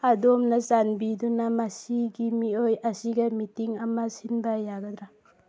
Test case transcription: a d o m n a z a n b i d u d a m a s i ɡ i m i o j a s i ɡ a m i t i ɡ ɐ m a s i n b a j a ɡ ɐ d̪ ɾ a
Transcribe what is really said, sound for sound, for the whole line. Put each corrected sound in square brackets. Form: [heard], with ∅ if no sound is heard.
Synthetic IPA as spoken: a d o m n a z a n b i d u [n] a m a s i ɡ i m i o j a s i ɡ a m i t i [ŋ] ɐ m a s i n b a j a ɡ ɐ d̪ ɾ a